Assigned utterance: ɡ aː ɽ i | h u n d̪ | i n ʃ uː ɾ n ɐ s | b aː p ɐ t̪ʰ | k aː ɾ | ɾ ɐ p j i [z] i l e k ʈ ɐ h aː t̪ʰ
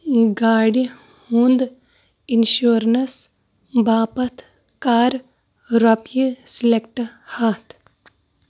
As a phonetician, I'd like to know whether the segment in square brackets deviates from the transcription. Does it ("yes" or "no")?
yes